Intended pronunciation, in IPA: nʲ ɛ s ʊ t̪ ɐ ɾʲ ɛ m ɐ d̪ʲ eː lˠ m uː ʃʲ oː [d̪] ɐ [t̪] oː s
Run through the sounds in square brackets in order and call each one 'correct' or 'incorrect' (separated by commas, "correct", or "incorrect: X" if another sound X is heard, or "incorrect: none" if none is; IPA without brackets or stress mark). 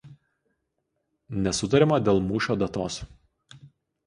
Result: correct, correct